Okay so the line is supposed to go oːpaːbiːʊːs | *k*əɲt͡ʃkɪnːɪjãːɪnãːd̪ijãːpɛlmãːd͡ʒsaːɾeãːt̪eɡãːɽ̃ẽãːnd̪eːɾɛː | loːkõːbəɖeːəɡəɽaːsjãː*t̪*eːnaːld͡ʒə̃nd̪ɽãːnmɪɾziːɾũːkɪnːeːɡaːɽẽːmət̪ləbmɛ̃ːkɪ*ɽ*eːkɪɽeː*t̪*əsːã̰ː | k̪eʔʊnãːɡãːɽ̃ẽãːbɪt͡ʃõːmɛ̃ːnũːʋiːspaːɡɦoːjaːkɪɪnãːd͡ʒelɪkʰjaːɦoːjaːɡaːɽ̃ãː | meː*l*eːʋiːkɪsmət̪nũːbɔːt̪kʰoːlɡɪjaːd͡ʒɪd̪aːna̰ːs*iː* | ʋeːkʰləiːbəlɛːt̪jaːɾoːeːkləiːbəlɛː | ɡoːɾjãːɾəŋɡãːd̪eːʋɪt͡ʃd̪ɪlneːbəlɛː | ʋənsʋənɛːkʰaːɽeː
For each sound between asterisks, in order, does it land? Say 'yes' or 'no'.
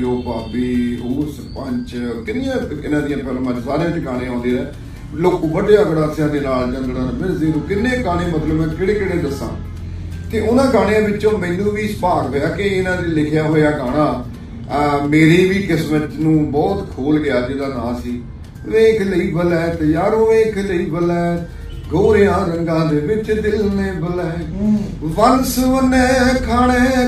no, no, yes, no, no, yes

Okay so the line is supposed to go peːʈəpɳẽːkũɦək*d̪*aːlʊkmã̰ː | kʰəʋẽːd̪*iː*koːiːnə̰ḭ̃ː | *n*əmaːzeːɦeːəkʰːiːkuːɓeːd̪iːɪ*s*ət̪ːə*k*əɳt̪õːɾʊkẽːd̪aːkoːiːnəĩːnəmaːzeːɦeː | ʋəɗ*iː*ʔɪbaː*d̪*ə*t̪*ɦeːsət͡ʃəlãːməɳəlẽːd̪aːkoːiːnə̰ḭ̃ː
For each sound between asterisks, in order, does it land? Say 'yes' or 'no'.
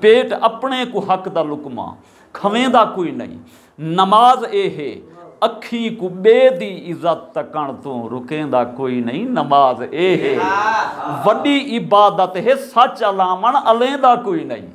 yes, no, yes, no, yes, yes, yes, yes

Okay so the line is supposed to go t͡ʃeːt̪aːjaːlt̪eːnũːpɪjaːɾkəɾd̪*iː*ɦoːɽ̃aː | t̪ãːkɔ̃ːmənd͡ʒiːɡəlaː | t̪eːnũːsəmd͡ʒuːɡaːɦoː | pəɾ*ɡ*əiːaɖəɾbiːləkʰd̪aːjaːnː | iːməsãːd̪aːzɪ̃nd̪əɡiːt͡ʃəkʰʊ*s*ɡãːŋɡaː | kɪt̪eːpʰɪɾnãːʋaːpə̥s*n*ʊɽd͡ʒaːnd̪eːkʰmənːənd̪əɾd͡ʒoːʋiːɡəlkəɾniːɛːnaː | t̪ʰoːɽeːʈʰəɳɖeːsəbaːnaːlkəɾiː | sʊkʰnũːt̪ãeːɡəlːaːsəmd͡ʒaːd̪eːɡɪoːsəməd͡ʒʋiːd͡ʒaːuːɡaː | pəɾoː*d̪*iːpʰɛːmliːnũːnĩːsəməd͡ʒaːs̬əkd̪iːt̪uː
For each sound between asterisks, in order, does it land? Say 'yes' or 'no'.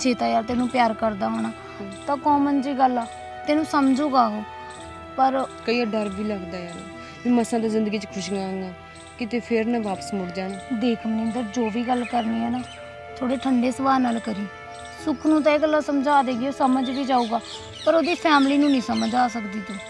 no, no, no, no, yes

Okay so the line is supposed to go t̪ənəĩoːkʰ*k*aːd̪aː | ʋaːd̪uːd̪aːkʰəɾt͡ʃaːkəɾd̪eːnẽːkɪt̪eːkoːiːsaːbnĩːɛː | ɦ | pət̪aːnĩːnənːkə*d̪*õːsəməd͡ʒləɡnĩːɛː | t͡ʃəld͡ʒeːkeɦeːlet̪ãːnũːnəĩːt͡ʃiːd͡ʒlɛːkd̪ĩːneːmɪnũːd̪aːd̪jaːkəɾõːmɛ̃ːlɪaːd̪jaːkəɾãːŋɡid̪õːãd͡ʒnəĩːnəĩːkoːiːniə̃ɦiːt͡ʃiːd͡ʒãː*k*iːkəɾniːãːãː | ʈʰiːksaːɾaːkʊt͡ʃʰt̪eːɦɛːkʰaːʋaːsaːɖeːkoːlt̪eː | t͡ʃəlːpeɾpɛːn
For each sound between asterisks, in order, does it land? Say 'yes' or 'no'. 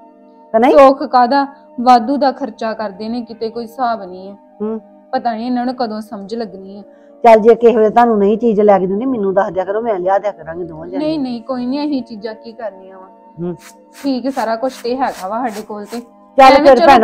yes, yes, yes

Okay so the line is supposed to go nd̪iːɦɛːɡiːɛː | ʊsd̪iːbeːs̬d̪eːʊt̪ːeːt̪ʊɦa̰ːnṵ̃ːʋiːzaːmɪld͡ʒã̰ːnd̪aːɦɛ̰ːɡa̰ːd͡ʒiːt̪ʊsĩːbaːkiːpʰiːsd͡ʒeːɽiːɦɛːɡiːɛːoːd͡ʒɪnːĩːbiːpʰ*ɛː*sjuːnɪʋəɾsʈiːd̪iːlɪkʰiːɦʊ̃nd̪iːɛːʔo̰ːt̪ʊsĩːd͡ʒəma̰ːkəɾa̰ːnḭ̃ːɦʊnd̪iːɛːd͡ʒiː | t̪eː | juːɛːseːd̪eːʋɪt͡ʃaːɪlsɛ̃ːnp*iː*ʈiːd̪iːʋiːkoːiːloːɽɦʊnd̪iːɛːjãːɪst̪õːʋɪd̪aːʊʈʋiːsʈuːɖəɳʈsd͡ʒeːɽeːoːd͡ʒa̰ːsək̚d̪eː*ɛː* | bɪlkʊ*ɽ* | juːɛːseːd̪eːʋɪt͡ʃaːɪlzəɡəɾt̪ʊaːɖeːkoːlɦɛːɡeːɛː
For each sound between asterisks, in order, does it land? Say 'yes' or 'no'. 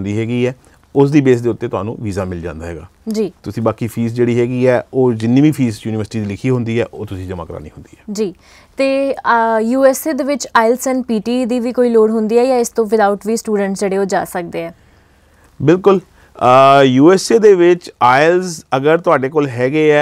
no, yes, yes, no

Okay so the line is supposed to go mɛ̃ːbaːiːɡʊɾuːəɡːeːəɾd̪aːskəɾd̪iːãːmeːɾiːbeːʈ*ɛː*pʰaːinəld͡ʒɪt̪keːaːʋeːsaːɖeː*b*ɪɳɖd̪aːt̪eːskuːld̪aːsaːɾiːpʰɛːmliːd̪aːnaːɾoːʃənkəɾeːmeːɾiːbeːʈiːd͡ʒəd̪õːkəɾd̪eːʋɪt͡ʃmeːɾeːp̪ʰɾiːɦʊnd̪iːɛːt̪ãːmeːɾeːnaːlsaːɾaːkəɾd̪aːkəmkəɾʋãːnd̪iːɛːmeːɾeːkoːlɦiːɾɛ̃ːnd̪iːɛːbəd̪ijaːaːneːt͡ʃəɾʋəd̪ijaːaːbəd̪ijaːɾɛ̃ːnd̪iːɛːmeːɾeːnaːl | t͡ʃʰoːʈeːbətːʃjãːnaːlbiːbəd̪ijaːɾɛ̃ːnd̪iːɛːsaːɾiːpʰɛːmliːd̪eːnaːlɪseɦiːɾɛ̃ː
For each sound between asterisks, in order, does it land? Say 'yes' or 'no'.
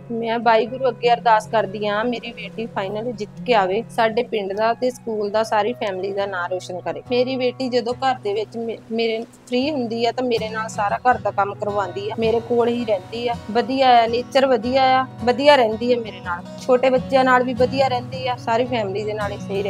no, no

